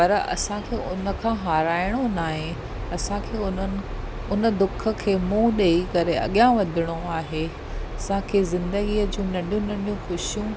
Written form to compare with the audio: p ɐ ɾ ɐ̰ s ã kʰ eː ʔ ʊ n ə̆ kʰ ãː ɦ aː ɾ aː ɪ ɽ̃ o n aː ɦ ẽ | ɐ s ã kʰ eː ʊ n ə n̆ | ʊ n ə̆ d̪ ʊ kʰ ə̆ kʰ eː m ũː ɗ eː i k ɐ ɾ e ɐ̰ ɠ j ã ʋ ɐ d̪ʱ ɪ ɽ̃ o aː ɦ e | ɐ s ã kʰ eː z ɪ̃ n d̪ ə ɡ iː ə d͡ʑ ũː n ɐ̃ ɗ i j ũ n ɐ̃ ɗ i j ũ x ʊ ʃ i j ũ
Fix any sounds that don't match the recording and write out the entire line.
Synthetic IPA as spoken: p ɐ ɾ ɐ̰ s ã kʰ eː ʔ ʊ n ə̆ kʰ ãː ɦ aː ɾ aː ɪ ɽ̃ o n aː ɦ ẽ | ɐ s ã kʰ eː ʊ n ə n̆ | ʊ n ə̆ d̪ ʊ kʰ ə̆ kʰ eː m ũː ɗ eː i k ɐ ɾ e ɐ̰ ɠ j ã ʋ ɐ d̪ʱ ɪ ɽ̃ o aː ɦ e | ɐ s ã kʰ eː z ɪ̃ n d̪ ə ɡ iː ə d͡ʑ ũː n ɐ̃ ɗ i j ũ n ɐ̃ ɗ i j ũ x ʊ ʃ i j ũ